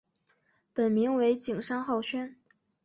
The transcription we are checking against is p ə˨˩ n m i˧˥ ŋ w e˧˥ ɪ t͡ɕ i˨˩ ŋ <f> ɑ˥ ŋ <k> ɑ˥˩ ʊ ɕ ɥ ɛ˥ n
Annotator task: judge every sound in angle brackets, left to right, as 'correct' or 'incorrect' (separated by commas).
incorrect, incorrect